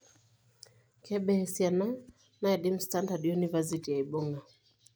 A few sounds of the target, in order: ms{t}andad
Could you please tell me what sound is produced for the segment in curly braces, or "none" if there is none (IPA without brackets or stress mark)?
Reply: t